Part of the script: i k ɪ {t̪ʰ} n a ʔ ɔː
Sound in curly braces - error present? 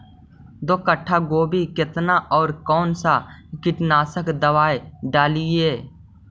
yes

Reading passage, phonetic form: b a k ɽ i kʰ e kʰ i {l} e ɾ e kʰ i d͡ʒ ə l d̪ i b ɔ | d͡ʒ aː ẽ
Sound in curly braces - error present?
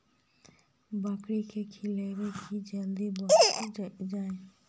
no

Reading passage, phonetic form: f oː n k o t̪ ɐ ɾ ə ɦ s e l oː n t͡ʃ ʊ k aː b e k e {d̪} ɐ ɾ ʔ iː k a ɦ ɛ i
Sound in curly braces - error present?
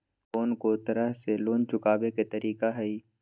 yes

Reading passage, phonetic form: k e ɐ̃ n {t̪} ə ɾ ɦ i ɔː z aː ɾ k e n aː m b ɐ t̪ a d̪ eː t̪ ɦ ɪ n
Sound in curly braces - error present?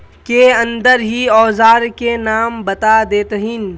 yes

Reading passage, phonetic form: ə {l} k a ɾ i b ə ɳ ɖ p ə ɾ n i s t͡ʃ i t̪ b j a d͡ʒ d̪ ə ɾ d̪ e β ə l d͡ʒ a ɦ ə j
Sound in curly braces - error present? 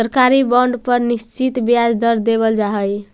yes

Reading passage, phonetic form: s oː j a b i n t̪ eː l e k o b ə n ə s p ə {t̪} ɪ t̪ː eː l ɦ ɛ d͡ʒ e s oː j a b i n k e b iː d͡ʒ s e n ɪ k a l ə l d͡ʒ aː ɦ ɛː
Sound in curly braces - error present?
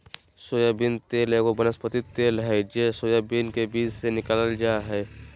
no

